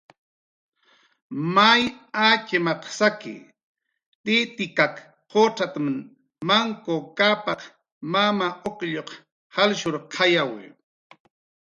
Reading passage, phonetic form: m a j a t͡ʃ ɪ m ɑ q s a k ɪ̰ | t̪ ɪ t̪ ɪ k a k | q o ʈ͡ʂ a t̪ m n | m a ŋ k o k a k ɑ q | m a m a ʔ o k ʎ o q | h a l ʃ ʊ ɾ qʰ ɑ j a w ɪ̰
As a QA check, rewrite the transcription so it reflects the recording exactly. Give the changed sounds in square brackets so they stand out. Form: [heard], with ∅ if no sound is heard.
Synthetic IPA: m a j a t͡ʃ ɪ m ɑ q s a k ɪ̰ | t̪ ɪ t̪ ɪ k a k | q o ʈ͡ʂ a t̪ m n | m a ŋ k o k a [p] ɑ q | m a m a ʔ o k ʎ o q | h a l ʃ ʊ ɾ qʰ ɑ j a w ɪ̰